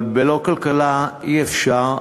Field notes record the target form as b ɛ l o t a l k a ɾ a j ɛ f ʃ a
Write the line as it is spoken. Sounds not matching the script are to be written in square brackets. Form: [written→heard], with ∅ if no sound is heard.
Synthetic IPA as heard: b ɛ l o [t→k] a l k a [ɾ→l] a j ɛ f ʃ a

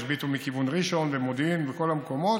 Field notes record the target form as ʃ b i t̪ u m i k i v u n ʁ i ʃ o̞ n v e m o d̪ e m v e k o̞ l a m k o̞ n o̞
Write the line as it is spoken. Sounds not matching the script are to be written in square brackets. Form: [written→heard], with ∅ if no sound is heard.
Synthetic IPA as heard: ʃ b i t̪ u m i k i v u n ʁ i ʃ o̞ n v e m o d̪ [e→i] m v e k o̞ l a m k o̞ [n→m] o̞

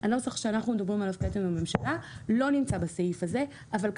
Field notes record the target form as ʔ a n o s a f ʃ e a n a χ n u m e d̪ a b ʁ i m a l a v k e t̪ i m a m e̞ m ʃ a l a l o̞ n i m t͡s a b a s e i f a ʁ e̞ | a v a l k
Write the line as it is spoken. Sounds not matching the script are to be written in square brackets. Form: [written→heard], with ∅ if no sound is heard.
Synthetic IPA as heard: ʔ a n o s a [f→χ] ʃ e a n a χ n u m e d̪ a b ʁ i m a l a v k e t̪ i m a m e̞ m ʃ a l a l o̞ n i m t͡s a b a s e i f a [ʁ→z] e̞ | a v a l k

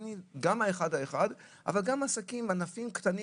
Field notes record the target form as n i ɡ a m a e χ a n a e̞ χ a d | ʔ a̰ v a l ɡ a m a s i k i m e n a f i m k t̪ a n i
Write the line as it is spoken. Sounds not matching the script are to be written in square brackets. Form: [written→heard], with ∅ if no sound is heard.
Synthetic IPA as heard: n i ɡ a m a e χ a [n→d] a e̞ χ a d | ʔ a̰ v a l ɡ a m a s [i→a] k i m [e→a] n a f i m k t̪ a n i

